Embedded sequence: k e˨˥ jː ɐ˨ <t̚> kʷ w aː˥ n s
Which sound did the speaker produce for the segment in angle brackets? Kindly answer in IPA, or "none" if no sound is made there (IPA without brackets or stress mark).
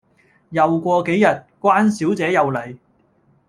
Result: t̚